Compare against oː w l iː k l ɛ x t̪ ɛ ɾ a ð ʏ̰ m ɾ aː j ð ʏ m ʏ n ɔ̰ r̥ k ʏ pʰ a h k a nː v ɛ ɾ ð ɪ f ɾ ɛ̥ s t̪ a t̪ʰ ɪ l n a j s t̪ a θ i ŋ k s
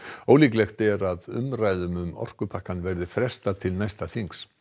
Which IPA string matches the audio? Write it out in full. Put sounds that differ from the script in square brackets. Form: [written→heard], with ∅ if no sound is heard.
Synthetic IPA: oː w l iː k l ɛ x t̪ ɛ ɾ a ð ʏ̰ m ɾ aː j ð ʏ m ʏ [n→m] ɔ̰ r̥ k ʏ pʰ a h k a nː v ɛ ɾ ð ɪ f ɾ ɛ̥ s t̪ a t̪ʰ ɪ l n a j s t̪ a θ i ŋ k s

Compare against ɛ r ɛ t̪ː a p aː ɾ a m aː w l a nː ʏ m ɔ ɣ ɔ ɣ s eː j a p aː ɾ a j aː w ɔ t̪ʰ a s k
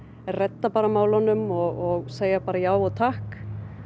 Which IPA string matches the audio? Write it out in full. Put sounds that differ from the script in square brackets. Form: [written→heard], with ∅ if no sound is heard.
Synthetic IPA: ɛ r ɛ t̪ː a p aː ɾ a m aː w l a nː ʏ m ɔ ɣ ɔ ɣ s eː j a p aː ɾ a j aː w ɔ t̪ʰ a [s→h] k

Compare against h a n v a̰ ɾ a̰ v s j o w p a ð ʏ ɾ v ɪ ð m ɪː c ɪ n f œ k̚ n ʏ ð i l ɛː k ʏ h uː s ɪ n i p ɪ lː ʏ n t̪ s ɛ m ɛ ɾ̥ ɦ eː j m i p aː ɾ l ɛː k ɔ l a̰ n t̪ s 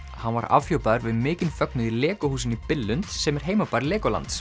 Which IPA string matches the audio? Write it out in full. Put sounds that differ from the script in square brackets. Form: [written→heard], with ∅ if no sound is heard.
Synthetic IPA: h a n v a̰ ɾ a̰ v [s→f] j o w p a ð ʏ ɾ v ɪ ð m ɪː c ɪ n f œ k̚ n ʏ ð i l ɛː k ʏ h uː s ɪ n i p ɪ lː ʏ n t̪ s ɛ m ɛ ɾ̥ ɦ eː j m [i→a] p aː ɾ l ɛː k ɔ l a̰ n t̪ s

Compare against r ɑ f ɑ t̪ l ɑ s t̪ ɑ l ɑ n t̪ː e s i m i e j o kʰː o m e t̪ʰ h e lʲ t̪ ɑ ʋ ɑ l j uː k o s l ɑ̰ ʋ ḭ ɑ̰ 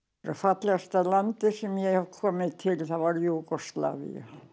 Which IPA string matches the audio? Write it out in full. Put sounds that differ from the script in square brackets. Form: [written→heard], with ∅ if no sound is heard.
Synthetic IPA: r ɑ f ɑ t̪ l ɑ s t̪ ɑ l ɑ n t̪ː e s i m i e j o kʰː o m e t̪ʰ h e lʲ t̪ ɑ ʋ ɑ l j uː k o s l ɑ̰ ʋ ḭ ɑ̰

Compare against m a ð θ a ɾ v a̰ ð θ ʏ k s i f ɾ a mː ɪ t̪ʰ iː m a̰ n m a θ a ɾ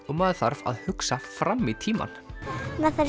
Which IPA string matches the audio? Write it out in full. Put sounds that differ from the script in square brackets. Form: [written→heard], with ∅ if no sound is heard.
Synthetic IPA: m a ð θ a ɾ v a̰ ð [θ→h] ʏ k s [i→a] f ɾ a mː [ɪ→i] t̪ʰ iː m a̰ n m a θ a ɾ

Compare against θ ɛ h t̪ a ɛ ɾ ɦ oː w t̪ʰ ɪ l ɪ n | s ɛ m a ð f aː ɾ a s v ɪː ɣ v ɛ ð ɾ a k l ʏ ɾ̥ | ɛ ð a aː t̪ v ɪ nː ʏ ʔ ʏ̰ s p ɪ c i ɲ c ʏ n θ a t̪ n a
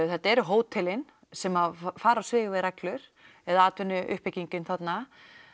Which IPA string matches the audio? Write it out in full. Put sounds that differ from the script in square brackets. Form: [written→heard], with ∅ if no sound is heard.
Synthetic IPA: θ ɛ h t̪ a ɛ ɾ ɦ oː w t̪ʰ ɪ l ɪ n | s ɛ m a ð f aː ɾ a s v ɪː ɣ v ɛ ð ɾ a k l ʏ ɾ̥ | ɛ ð a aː t̪ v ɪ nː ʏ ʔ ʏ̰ [s→h] p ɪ c i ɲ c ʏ n θ a t̪ n a

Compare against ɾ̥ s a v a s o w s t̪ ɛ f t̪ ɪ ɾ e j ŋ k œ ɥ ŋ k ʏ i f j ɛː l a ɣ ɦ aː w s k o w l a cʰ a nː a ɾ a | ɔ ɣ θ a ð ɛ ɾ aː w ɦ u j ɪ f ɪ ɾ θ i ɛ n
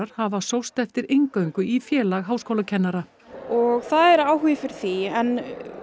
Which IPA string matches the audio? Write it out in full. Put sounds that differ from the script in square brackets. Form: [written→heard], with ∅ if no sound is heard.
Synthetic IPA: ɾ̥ [s→h] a v a s o w s t̪ ɛ f t̪ ɪ ɾ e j ŋ k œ ɥ ŋ k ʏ i f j ɛː l a ɣ ɦ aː w s k o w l a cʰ [a→ɛ] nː a ɾ a | ɔ ɣ θ a ð ɛ ɾ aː w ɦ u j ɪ f ɪ ɾ θ i ɛ n

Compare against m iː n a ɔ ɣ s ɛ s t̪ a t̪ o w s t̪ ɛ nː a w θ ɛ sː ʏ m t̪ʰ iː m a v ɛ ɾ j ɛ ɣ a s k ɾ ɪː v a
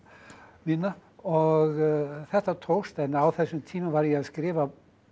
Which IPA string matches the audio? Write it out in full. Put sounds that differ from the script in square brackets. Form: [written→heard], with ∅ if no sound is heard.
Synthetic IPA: m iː n a ɔ ɣ [s→θ] ɛ [s→h] t̪ a [t̪→t̪ʰ] o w s t̪ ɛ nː a w θ ɛ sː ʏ m t̪ʰ iː m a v [ɛ→a] ɾ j ɛ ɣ a s k ɾ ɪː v a

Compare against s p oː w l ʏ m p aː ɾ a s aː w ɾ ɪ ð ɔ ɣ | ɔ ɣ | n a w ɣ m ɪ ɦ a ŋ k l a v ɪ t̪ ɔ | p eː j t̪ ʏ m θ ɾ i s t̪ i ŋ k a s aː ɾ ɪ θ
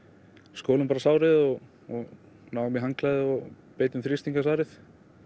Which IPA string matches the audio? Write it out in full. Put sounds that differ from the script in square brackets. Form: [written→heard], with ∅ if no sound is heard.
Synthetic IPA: s [p→k] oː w l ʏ m p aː ɾ a s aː w ɾ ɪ ð ɔ ɣ | ɔ ɣ | n a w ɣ m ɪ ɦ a ŋ k l a [v→ð] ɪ [t̪→∅] ɔ | p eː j t̪ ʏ m θ ɾ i s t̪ i ŋ k a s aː ɾ ɪ θ

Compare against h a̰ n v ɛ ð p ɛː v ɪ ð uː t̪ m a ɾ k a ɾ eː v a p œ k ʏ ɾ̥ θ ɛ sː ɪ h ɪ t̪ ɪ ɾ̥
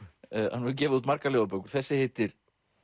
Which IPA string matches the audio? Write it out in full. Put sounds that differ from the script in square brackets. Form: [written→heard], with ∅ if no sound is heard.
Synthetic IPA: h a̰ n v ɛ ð [p→c] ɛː v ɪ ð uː t̪ m a ɾ k a [ɾ→l] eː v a p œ k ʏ ɾ̥ θ ɛ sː ɪ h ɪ t̪ ɪ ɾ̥

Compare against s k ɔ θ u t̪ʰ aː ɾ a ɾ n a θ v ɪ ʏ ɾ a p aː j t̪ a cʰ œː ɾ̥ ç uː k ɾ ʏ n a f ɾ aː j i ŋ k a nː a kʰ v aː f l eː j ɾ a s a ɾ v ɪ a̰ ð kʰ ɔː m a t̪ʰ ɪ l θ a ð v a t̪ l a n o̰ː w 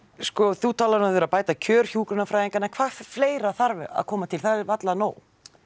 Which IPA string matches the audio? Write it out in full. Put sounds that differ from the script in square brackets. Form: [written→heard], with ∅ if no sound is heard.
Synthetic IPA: s k ɔ θ u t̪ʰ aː [ɾ→l] a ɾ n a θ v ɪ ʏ ɾ a p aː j t̪ a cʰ œː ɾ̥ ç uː k ɾ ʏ n a f ɾ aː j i ŋ k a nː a kʰ v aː f l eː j ɾ a [s→θ] a ɾ v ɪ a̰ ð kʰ ɔː m a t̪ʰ ɪ l θ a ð v a t̪ l a n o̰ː w

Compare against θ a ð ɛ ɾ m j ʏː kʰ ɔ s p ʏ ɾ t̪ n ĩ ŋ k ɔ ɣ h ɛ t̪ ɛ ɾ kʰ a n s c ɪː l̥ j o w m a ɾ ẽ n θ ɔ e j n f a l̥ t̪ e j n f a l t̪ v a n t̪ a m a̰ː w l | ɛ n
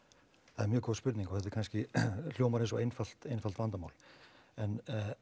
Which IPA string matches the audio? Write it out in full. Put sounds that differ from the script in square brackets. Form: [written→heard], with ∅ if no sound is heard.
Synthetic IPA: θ a ð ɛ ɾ m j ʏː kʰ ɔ s p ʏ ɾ t̪ n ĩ ŋ k ɔ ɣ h ɛ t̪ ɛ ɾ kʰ a n s c [ɪː→ɪ] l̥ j o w m a ɾ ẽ n [θ→s] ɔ e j n f a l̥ t̪ e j n f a l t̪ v a n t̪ a m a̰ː w l | ɛ n

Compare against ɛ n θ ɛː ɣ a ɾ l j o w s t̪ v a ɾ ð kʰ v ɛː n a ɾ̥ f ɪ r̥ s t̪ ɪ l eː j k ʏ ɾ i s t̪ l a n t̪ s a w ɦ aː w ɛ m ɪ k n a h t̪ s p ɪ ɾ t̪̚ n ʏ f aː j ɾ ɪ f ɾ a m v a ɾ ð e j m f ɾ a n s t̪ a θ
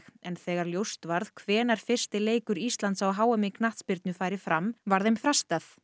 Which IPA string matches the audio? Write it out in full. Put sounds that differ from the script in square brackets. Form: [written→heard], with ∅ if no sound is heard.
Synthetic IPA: ɛ n θ ɛː ɣ a ɾ l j o w s t̪ v a ɾ ð kʰ v ɛː n a ɾ̥ f ɪ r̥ s t̪ ɪ l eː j k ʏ ɾ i s t̪ l a n t̪ s a w ɦ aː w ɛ m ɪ k n a h t̪ s p ɪ ɾ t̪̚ n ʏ f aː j ɾ ɪ f ɾ a m v a ɾ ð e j m f ɾ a [n→∅] s t̪ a θ

